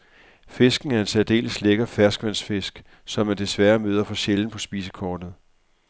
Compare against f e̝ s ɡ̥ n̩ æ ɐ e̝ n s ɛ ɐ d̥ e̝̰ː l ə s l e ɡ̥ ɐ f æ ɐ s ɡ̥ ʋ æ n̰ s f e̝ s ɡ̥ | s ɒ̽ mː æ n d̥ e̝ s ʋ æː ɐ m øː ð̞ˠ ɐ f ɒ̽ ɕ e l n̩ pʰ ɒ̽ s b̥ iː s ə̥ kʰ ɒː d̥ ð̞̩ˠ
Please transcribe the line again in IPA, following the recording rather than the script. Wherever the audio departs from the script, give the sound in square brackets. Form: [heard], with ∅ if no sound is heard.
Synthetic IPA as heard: f e̝ s ɡ̥ n̩ æ ɐ e̝ n s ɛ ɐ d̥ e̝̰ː l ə s l e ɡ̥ ɐ f æ ɐ s ɡ̥ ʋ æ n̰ s f e̝ s ɡ̥ | s ɒ̽ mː æ n d̥ e̝ s ʋ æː ɐ m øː ð̞ˠ ɐ f ɒ̽ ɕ e l n̩ pʰ ɒ̽ s b̥ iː s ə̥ kʰ ɒː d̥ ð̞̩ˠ

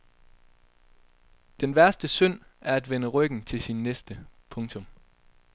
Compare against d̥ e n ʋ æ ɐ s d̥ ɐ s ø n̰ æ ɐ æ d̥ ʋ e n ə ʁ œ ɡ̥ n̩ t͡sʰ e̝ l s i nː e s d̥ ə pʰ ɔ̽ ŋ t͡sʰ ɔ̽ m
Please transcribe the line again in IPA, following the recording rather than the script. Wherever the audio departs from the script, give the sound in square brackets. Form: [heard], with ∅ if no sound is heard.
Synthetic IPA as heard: d̥ e n ʋ æ ɐ s d̥ [ə] s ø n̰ æ ɐ æ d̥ ʋ e n ə ʁ œ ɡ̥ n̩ t͡sʰ e̝ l s i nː e s d̥ ə pʰ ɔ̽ ŋ t͡sʰ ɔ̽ m

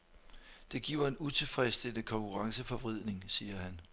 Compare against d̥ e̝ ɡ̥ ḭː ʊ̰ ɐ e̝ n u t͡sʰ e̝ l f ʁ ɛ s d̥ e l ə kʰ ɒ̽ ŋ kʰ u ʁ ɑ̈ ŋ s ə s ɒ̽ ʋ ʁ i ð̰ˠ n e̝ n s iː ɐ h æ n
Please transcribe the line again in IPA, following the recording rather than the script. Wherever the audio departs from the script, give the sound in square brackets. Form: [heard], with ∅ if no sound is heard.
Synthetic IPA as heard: d̥ e̝ ɡ̥ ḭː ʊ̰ ɐ e̝ n u t͡sʰ e̝ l f ʁ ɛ s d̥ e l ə kʰ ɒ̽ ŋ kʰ u ʁ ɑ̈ ŋ s ə [f] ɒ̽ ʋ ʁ i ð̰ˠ n e̝ [ŋ] s iː ɐ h æ n

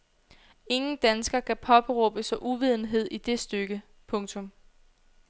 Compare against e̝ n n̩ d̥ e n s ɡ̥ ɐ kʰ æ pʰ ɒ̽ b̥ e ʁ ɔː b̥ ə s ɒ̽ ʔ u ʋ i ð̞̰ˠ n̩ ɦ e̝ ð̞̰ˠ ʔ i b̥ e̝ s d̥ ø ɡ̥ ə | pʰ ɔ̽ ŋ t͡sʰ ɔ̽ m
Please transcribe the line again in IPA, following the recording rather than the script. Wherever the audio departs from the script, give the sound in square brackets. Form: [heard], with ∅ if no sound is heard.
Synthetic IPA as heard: e̝ [ŋ] n̩ d̥ [æ] n s ɡ̥ ɐ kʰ æ pʰ ɒ̽ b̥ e ʁ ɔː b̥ ə s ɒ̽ ʔ u ʋ i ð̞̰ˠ n̩ ɦ e̝ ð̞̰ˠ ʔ i [d̥] e̝ s d̥ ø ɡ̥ ə | pʰ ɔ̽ ŋ t͡sʰ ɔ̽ m

